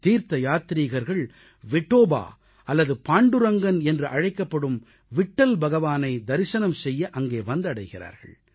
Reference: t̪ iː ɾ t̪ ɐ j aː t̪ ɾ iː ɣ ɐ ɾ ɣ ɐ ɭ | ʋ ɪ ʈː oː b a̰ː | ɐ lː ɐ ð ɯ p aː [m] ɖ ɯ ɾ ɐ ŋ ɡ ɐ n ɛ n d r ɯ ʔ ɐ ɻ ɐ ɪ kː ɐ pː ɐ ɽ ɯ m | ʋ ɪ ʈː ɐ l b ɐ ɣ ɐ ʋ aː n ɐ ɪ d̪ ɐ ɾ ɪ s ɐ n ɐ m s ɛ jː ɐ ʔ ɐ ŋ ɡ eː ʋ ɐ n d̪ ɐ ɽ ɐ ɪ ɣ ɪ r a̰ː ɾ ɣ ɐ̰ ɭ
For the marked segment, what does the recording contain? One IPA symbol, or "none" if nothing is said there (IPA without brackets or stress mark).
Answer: ɳ